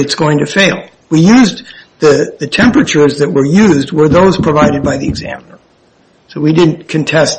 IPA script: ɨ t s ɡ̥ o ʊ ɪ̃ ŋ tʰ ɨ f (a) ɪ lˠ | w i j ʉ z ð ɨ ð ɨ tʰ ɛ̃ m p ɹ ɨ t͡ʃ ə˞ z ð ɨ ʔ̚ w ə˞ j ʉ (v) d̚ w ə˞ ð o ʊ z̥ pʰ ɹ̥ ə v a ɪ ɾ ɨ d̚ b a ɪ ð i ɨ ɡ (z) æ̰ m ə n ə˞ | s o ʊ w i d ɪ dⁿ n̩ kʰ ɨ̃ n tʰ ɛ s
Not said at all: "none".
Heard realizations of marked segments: e, z, z

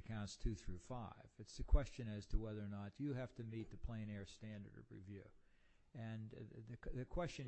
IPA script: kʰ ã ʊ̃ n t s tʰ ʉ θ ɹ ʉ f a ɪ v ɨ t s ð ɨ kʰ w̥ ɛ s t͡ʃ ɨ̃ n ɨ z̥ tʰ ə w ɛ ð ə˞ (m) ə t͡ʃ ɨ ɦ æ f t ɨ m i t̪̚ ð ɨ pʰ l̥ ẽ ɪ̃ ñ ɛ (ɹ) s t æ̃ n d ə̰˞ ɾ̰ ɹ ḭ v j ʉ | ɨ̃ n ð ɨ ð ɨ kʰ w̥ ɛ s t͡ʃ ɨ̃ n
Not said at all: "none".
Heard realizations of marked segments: n, ɹ

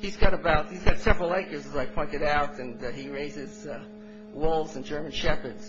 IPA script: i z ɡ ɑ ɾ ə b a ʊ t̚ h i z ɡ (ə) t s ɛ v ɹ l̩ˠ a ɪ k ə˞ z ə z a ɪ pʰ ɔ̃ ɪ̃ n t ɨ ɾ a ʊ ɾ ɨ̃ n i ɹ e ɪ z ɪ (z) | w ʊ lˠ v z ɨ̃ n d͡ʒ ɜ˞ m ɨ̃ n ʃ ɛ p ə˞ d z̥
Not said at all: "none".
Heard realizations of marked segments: ɑ, z

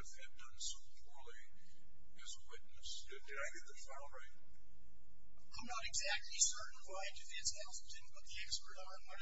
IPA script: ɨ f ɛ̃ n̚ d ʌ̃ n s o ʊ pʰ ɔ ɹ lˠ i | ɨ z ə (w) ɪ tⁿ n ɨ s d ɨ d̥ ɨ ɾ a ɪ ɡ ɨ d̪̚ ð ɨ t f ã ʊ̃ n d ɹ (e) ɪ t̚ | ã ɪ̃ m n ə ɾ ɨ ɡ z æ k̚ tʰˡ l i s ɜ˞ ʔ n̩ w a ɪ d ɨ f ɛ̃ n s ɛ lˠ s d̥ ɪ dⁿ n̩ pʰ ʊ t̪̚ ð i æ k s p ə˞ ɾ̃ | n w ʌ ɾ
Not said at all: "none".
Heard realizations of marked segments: w, a

